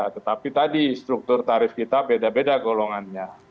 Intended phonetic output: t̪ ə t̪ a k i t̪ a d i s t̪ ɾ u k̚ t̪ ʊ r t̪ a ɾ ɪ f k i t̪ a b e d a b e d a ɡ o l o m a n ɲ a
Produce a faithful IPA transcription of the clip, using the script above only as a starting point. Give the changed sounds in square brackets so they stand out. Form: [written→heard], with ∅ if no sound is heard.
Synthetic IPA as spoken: t̪ ə t̪ a [k→p] i t̪ a d i s t̪ ɾ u k̚ t̪ ʊ r t̪ a ɾ ɪ f k i t̪ a b e d a b e d a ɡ o l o [m→ŋ] a n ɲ a